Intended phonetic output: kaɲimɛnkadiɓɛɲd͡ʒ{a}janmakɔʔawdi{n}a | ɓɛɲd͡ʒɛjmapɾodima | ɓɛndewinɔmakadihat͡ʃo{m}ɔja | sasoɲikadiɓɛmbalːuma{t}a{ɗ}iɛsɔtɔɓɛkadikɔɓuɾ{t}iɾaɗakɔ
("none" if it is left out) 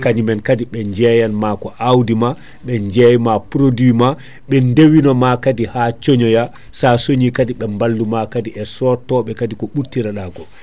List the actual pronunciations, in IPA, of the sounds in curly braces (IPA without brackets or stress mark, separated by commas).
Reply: ɛ, m, ɲ, k, d, t